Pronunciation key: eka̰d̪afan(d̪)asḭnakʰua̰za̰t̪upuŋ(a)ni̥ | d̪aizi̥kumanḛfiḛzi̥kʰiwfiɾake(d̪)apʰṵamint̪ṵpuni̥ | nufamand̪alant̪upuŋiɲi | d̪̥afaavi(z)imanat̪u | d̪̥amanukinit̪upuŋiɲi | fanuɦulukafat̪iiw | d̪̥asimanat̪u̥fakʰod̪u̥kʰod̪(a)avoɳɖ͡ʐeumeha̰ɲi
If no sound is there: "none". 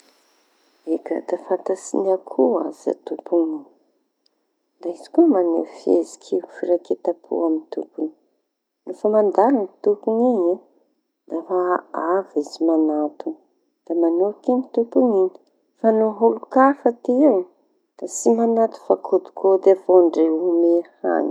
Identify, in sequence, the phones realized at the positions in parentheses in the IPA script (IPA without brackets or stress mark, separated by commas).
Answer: t̪, i, t̪, z, e